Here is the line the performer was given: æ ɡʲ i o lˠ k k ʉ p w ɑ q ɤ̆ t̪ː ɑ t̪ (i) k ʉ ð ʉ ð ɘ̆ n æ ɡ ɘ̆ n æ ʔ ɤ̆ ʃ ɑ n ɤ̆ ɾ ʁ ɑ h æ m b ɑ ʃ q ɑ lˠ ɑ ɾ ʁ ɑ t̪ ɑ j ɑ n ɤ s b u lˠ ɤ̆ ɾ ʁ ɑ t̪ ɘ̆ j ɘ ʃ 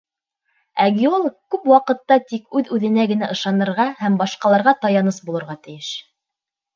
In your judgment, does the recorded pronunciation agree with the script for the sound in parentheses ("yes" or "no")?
yes